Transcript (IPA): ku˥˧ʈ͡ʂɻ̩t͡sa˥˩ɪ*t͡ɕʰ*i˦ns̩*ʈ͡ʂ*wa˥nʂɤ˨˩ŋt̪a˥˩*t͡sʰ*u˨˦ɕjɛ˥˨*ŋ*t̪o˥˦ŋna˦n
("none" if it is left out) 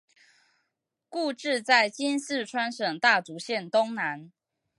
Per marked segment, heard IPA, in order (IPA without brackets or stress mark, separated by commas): t͡ɕ, ʈ͡ʂʰ, t͡s, n